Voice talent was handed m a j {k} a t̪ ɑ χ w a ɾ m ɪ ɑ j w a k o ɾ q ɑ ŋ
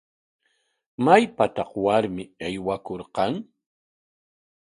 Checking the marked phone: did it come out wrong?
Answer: yes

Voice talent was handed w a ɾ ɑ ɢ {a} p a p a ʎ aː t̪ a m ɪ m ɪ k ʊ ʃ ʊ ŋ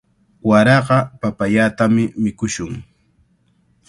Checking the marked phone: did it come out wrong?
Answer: yes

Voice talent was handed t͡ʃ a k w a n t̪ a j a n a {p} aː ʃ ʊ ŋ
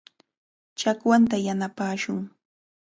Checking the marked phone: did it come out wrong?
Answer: no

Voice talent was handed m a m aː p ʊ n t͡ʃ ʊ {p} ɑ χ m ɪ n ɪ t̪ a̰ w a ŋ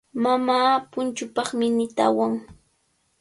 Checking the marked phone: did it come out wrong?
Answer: no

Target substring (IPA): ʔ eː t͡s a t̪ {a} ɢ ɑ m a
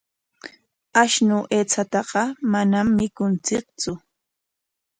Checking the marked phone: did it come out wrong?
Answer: yes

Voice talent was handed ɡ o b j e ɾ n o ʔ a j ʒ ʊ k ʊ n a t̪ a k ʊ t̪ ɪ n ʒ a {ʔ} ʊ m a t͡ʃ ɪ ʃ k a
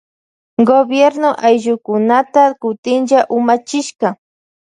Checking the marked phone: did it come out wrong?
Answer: no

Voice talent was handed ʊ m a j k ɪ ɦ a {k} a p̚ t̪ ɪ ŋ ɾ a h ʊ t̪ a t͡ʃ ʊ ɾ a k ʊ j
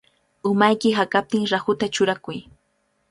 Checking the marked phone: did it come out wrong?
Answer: no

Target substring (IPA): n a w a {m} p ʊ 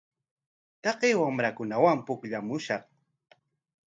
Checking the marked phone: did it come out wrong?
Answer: no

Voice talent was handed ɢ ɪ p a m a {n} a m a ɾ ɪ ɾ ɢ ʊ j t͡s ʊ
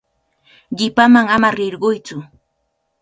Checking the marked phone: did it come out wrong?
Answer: yes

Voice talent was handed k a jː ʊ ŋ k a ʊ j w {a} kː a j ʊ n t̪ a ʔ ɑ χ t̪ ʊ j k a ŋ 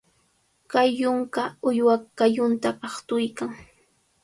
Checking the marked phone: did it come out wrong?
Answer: no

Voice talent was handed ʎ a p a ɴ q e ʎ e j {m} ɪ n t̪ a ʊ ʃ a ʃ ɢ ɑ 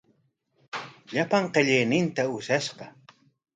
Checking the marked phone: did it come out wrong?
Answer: yes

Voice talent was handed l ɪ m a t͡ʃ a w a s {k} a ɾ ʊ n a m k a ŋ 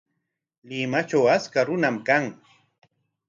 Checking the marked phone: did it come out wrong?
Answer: no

